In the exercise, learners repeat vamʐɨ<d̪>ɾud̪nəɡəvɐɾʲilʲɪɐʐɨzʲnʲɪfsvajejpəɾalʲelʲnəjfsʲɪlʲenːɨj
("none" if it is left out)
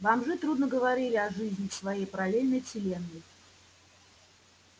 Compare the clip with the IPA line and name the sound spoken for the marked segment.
t̪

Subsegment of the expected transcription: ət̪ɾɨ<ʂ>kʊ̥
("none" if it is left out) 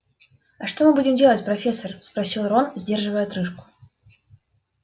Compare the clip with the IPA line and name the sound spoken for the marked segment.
ʂ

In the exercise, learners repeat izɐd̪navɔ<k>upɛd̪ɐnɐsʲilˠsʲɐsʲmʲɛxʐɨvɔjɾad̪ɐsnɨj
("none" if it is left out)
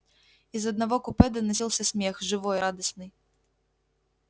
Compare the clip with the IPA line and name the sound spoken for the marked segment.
k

